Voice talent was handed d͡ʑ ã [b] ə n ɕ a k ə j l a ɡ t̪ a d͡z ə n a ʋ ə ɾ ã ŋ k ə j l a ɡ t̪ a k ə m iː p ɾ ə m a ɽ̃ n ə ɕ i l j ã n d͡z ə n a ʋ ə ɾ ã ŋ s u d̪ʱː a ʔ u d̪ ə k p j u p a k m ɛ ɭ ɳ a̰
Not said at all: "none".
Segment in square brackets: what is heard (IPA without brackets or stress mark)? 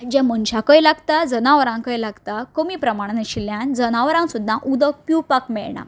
m